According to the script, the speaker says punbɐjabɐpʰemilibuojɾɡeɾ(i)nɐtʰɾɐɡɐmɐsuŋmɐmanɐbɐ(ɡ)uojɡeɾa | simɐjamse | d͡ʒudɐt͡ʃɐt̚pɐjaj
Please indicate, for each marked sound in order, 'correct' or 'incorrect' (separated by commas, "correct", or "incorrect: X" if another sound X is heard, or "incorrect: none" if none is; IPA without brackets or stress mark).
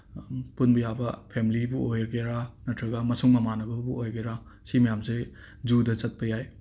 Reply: incorrect: a, incorrect: b